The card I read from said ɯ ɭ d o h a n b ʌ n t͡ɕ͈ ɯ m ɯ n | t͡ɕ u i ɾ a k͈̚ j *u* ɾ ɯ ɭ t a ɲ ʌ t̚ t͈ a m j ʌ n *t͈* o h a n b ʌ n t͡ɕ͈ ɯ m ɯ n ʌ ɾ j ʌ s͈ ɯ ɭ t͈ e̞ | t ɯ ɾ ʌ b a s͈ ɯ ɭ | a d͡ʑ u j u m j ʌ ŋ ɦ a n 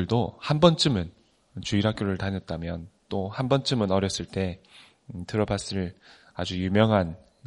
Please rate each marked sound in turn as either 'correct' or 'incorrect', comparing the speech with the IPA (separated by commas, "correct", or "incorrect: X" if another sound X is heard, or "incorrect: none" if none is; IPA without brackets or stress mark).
incorrect: o, correct